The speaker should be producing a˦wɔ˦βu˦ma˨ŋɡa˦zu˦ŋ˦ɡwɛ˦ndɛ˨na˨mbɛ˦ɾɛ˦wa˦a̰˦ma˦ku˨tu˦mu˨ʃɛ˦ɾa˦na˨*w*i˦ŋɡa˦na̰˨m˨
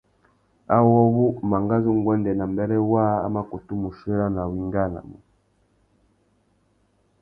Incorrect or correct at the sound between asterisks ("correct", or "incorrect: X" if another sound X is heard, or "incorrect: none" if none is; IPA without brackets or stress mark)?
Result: correct